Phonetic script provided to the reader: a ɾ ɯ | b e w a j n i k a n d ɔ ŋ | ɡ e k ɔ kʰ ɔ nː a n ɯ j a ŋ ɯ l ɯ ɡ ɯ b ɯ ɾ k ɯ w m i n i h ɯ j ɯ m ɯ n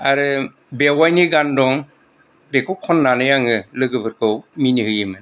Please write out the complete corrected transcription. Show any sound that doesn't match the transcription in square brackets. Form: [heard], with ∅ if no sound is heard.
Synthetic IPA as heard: a ɾ ɯ | b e w a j n i [ɡ] a n d ɔ ŋ | [b] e k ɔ kʰ ɔ nː a n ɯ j a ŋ ɯ l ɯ ɡ ɯ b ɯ ɾ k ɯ w m i n i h ɯ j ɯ m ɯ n